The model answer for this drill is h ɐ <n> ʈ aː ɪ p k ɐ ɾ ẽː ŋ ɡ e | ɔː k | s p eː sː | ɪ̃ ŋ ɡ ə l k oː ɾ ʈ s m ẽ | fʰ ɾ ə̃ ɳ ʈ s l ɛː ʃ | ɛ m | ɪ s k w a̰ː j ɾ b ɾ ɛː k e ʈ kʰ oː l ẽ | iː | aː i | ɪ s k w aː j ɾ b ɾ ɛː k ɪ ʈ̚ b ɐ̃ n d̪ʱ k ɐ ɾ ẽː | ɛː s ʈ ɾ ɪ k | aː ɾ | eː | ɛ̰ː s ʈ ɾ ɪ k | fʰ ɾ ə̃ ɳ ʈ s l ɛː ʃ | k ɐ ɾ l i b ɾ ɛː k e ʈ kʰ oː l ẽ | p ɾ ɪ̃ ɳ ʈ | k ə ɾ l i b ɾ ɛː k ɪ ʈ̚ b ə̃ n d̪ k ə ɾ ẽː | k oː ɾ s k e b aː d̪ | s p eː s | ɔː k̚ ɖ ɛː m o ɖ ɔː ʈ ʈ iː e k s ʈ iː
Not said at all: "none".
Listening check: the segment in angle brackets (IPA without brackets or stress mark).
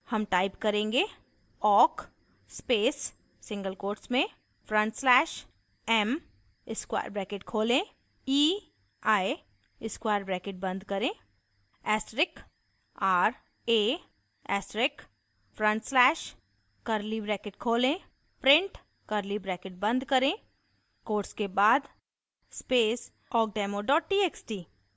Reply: m